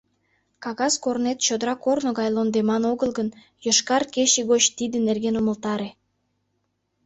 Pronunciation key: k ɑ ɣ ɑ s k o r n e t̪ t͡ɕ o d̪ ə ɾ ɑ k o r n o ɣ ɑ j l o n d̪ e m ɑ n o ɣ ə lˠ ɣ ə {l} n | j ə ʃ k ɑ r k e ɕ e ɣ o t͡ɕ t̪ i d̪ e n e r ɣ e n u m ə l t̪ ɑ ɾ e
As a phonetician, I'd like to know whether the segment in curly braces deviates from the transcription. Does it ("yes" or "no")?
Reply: yes